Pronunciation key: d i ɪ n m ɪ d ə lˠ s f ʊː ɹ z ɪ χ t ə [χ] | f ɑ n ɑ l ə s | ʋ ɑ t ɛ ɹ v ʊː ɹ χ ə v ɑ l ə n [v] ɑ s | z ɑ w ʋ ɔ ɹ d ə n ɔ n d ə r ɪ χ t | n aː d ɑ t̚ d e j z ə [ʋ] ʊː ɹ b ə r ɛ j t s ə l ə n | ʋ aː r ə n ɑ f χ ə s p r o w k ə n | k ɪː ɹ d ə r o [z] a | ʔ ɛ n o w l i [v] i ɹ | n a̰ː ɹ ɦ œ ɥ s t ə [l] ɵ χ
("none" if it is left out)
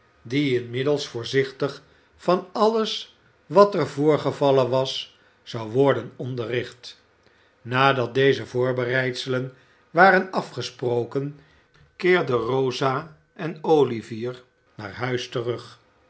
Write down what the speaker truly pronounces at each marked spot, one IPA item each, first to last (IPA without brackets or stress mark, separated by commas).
χ, ʋ, v, z, v, r